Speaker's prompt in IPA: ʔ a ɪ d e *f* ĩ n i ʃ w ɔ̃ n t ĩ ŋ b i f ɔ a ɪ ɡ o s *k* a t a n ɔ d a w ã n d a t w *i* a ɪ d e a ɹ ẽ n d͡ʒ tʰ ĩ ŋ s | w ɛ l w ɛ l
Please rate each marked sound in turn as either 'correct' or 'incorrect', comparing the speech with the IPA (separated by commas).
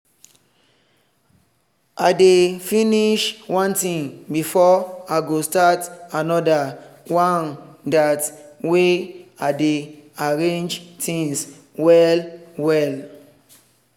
correct, incorrect, incorrect